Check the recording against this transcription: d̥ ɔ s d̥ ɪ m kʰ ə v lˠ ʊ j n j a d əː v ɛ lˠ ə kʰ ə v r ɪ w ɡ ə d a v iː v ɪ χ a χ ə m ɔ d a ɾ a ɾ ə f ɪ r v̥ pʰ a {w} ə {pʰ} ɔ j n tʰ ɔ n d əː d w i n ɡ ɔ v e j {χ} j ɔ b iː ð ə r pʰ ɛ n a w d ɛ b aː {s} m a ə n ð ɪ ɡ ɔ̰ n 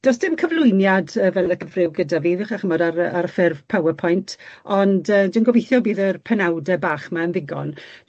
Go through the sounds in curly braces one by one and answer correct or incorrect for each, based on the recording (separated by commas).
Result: correct, correct, incorrect, incorrect